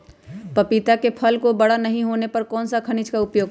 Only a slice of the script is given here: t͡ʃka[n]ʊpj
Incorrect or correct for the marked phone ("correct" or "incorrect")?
incorrect